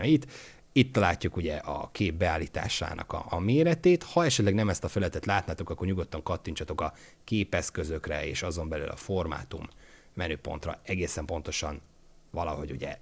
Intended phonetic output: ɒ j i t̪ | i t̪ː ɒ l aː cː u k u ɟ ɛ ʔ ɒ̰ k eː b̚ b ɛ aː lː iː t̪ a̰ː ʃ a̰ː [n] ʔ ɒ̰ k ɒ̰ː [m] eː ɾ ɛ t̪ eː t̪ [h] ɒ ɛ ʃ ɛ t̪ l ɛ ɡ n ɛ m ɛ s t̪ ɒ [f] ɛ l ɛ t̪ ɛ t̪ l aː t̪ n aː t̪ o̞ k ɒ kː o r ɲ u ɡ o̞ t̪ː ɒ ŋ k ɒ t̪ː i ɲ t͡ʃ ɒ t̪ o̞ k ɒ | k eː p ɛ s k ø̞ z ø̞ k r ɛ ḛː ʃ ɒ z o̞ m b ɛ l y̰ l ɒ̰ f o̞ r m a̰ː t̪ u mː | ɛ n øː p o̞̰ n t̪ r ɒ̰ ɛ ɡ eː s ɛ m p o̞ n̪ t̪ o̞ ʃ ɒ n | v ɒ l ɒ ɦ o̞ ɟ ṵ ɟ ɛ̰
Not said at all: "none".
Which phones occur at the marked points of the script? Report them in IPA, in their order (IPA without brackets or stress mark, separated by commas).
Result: n, m, h, f